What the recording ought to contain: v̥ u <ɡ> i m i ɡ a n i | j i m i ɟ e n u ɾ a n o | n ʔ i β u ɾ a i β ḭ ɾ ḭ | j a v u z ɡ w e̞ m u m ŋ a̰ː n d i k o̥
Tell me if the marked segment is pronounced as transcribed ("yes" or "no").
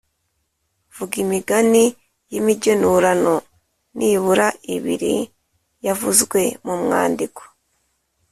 yes